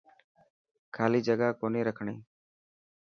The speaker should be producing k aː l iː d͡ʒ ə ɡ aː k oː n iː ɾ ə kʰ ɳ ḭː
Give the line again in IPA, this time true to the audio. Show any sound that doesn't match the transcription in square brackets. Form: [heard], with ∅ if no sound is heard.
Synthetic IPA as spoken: [kʰ] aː l iː d͡ʒ ə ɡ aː k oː n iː ɾ ə kʰ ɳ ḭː